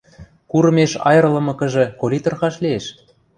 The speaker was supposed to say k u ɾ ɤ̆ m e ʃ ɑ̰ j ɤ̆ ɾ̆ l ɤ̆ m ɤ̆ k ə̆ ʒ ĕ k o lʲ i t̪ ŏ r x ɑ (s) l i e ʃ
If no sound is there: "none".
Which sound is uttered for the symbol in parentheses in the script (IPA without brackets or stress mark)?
ʃ